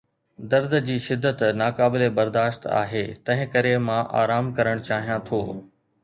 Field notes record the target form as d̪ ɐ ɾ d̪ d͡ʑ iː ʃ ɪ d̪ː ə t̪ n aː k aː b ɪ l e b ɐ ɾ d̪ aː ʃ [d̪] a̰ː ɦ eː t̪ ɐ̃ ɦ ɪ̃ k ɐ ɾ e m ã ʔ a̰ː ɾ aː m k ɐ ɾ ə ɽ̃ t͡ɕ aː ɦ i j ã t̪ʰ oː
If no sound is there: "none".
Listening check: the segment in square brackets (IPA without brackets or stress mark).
t̪